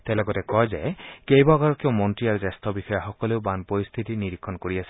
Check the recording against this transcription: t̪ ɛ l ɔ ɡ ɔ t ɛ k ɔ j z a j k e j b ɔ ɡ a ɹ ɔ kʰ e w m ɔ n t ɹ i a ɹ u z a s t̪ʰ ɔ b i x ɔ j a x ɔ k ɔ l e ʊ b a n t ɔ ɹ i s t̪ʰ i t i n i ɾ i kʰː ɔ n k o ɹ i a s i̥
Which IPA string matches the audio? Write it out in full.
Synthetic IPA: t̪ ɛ l ɔ ɡ ɔ t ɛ k ɔ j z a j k e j b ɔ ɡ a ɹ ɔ k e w m ɔ n t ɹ i a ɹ u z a s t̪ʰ ɔ b i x ɔ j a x ɔ k ɔ l e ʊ b a n p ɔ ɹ i s t̪ʰ i t i n i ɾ i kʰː ɔ n k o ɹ i a s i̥